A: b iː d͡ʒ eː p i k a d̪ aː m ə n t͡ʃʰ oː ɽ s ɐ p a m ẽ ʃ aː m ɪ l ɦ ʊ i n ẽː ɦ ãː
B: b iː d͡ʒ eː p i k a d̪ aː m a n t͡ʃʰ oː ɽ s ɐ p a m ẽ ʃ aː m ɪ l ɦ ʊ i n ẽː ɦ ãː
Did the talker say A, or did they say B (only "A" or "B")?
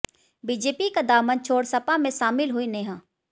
A